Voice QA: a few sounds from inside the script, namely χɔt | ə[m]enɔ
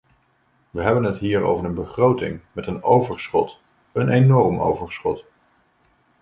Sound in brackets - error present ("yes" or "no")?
yes